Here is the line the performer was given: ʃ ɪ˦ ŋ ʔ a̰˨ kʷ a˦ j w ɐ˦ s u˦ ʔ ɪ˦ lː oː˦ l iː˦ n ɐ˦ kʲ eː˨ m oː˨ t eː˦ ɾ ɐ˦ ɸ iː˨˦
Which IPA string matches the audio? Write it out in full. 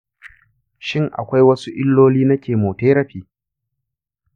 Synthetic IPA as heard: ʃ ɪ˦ ŋ ʔ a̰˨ kʷ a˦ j w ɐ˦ s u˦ ʔ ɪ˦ lː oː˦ l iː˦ n ɐ˦ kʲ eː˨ m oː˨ t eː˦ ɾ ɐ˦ ɸ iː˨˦